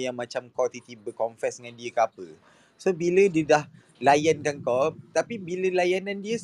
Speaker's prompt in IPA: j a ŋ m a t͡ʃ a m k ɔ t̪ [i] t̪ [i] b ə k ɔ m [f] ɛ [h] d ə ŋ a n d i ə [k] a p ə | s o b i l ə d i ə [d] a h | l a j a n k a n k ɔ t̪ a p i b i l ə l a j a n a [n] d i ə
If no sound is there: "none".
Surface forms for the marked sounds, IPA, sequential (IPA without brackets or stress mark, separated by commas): i, i, f, s, k, d, n